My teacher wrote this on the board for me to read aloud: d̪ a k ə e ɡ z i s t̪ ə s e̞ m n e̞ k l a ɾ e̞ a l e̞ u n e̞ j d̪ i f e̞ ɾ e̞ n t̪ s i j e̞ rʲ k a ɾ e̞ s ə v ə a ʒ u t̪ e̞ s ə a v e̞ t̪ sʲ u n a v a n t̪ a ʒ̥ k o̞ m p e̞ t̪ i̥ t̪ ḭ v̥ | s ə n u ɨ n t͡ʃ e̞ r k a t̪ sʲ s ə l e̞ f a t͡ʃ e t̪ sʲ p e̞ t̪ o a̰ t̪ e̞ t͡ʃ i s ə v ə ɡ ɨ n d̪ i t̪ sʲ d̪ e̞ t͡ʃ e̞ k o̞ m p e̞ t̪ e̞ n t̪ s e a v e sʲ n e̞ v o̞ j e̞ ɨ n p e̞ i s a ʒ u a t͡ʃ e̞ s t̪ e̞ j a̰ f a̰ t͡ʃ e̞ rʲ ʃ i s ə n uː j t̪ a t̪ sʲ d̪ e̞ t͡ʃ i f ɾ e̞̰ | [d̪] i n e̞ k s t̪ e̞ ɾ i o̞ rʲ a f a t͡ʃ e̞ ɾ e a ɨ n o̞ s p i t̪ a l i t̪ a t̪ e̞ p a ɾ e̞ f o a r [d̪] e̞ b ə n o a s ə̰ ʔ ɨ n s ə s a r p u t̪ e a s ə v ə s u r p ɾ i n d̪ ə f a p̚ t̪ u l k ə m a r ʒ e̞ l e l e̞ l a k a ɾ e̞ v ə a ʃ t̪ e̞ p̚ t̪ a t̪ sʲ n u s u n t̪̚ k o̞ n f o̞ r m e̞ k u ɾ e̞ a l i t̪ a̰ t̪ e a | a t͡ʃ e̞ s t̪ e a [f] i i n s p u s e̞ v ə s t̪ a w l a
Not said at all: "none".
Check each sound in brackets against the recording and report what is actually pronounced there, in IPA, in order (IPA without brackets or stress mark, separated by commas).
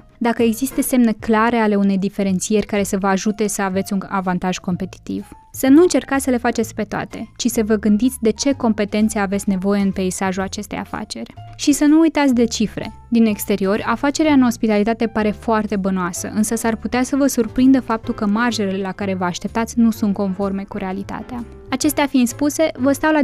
d̪, t̪, f